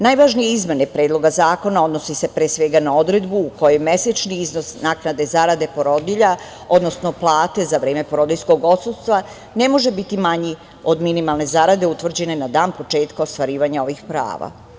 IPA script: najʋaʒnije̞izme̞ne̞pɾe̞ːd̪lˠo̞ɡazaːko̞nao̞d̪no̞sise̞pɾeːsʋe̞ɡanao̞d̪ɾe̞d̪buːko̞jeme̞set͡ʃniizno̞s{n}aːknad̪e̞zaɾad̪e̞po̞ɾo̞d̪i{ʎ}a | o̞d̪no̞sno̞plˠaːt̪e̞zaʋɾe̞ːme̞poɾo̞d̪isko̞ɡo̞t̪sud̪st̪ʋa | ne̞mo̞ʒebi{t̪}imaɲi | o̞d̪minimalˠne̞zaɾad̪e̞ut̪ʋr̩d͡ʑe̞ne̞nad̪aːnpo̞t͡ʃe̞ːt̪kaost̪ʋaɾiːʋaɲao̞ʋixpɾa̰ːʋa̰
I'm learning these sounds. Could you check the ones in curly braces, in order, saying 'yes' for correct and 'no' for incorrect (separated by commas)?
yes, yes, yes